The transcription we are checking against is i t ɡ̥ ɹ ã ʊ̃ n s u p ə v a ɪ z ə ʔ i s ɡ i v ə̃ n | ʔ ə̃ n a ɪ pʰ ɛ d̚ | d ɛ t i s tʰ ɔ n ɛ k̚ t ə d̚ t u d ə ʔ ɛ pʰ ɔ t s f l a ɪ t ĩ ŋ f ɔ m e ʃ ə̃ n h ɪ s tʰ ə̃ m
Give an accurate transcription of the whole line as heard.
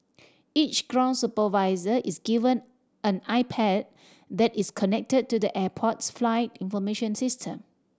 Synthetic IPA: i t͡ʃ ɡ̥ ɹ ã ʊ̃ n s u p ə v a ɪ z ə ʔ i s ɡ i v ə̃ n | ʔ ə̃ n a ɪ pʰ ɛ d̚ | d ɛ t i s kʰ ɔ n ɛ k̚ t ə d̚ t u d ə ʔ ɛ pʰ ɔ t s f l a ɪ t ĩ n f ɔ m e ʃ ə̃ n s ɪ s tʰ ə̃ m